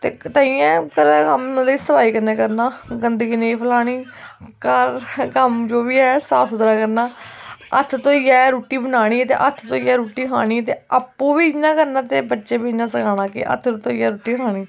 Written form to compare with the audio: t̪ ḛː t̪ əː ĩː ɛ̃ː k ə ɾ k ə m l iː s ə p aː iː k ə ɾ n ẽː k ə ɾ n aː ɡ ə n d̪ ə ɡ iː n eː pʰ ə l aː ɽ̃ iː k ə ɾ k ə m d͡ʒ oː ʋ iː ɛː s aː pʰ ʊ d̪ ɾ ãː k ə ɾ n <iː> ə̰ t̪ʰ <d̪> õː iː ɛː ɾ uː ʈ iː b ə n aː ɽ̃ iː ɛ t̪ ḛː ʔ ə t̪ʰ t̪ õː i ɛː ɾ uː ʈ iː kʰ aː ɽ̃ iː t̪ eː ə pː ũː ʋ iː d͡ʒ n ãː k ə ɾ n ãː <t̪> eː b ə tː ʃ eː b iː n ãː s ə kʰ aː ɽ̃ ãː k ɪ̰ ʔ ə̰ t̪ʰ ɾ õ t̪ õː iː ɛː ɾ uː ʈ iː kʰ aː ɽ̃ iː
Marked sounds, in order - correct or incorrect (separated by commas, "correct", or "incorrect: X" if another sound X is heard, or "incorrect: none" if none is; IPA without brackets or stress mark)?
incorrect: aː, incorrect: t̪, correct